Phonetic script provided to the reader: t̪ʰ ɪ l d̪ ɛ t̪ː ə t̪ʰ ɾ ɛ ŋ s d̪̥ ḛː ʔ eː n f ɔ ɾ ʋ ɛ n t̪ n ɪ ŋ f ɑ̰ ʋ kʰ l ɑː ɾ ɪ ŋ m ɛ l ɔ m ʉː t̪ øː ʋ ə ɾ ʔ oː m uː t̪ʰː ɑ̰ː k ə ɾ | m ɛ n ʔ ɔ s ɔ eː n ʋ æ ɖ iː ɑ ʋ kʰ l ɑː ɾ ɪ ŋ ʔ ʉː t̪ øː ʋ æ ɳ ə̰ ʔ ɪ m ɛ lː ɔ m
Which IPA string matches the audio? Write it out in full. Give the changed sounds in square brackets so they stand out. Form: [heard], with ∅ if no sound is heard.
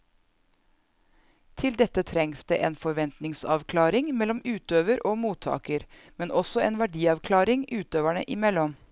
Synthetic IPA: t̪ʰ ɪ l d̪ ɛ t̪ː ə t̪ʰ ɾ ɛ ŋ s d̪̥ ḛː ʔ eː n f ɔ ɾ ʋ ɛ n t̪ n ɪ ŋ [s] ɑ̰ ʋ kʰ l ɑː ɾ ɪ ŋ m ɛ l ɔ m ʉː t̪ øː ʋ ə ɾ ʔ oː m uː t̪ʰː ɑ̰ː k ə ɾ | m ɛ n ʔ ɔ s ɔ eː n ʋ æ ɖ iː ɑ ʋ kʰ l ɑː ɾ ɪ ŋ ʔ ʉː t̪ øː ʋ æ ɳ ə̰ ʔ ɪ m ɛ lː ɔ m